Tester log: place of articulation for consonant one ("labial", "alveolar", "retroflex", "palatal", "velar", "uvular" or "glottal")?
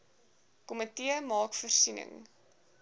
velar